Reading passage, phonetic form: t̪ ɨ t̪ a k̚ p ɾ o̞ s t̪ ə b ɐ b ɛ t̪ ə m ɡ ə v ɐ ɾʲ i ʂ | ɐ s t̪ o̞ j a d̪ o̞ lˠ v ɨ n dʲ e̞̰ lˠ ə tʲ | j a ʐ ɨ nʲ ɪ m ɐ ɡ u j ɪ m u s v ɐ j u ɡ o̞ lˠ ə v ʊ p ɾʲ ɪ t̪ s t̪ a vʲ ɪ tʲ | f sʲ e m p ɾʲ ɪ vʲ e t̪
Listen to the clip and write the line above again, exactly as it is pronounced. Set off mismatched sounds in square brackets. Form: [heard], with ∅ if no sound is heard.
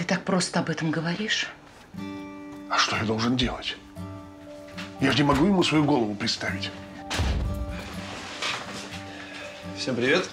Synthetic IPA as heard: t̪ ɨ t̪ a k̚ p ɾ o̞ s t̪ ə [∅] ɐ b ɛ t̪ ə m ɡ ə v ɐ ɾʲ i ʂ | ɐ [ʂ] t̪ o̞ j a d̪ o̞ lˠ [ʐ] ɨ n dʲ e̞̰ lˠ ə tʲ | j a ʐ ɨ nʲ ɪ m ɐ ɡ u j ɪ m u s v ɐ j u ɡ o̞ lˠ ə v ʊ p ɾʲ ɪ t̪ s t̪ a vʲ ɪ tʲ | f sʲ e m p ɾʲ ɪ vʲ e t̪